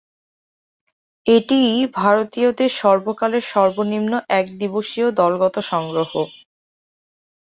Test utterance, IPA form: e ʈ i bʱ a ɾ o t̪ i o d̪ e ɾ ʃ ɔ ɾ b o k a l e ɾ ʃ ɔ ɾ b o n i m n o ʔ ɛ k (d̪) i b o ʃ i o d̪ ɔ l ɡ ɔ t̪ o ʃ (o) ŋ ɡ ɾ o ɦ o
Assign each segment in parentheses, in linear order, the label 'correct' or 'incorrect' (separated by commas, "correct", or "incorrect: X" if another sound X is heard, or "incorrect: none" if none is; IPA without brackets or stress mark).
correct, incorrect: ɔ